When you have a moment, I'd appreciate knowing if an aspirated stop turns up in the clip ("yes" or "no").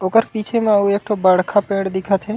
yes